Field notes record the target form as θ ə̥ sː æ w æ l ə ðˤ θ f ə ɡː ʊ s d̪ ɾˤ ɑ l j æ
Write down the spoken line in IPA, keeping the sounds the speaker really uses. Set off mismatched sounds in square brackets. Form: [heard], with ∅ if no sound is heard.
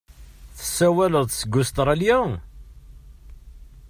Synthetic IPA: θ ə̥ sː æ w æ l ə ðˤ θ [s] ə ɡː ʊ s [t̪] ɾˤ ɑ l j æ